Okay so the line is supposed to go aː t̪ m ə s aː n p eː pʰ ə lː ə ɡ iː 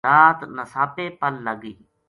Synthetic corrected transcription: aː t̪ n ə s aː p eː p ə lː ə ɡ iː